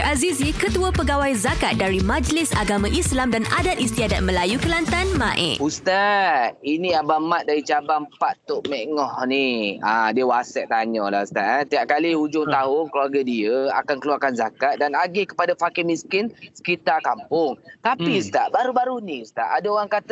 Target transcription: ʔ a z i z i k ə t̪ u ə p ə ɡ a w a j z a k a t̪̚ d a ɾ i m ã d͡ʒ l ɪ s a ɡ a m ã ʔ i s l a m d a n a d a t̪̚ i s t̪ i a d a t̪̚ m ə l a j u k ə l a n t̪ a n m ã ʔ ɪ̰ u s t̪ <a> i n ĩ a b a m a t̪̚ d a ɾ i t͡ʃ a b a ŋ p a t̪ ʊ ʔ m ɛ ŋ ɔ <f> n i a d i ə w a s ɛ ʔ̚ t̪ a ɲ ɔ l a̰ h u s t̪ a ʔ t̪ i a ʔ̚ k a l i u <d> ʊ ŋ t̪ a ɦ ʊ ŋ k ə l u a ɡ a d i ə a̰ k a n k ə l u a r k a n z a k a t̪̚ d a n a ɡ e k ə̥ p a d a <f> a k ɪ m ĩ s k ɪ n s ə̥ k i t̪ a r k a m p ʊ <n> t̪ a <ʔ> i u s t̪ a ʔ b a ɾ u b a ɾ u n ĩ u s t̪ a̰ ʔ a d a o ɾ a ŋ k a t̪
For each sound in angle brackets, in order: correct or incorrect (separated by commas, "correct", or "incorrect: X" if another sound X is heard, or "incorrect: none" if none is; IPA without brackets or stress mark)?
correct, incorrect: h, incorrect: d͡ʒ, correct, incorrect: ŋ, incorrect: p